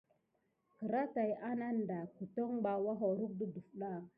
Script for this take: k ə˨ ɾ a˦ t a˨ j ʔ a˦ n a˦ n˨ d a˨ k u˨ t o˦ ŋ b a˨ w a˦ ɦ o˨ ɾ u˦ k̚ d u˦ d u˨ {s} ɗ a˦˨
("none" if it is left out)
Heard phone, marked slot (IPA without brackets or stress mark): f